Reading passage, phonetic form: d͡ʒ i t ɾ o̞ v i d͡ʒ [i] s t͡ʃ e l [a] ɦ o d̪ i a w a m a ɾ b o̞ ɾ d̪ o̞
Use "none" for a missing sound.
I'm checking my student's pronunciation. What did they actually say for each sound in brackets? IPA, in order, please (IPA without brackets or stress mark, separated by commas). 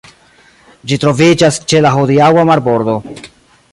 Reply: a, a